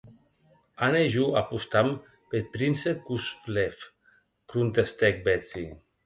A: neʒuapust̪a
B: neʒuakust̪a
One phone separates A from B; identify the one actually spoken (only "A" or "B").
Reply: A